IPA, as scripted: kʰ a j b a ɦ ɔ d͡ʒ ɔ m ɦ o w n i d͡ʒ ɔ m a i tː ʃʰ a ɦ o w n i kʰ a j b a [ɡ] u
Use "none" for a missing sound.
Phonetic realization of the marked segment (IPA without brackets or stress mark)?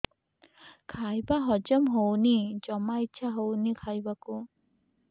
k